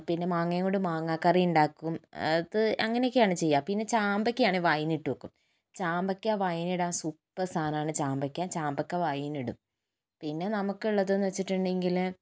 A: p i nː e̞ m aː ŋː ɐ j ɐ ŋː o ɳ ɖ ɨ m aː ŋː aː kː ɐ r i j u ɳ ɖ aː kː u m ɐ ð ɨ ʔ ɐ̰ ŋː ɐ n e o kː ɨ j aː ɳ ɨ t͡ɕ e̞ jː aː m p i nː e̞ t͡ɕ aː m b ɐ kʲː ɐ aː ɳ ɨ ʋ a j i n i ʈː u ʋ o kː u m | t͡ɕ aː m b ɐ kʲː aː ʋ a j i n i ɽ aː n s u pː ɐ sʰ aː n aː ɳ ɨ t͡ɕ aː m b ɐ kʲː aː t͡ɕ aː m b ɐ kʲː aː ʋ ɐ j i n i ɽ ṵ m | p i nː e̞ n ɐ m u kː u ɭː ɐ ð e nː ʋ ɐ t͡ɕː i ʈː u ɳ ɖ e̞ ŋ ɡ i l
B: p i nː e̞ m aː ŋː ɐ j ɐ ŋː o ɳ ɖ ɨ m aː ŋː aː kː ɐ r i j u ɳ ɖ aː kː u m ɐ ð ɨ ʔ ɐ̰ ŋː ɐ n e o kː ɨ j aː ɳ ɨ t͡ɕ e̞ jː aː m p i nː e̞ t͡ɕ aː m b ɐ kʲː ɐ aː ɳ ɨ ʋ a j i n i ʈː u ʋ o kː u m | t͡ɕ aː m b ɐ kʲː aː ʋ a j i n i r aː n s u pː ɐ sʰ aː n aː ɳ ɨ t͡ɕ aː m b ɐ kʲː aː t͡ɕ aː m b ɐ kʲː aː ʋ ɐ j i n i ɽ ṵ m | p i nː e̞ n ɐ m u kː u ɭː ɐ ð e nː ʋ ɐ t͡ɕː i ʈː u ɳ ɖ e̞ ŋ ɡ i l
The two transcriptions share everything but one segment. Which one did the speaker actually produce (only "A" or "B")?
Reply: A